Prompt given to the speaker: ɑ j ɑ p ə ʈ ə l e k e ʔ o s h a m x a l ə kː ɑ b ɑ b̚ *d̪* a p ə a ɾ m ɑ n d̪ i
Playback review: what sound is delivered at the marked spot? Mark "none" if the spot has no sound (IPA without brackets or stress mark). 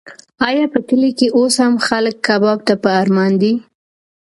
t̪